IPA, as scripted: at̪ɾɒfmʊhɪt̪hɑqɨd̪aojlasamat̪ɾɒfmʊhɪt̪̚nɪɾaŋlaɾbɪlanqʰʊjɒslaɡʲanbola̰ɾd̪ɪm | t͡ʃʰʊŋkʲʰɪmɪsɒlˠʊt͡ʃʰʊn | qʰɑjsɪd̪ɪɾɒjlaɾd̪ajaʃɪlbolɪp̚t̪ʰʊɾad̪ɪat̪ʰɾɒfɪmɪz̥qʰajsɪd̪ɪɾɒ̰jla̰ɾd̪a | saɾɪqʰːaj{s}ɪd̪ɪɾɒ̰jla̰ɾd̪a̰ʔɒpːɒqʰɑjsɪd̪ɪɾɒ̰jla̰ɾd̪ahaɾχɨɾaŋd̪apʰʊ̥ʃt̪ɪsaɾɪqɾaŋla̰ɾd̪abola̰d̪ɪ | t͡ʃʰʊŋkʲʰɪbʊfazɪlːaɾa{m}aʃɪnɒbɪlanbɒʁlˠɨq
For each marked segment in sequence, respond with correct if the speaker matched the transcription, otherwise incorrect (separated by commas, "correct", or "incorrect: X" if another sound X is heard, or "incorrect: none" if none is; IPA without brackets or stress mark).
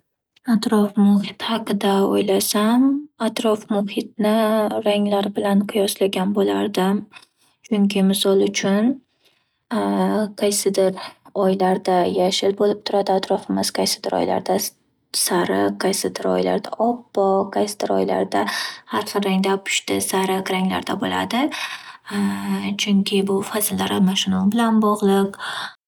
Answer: correct, correct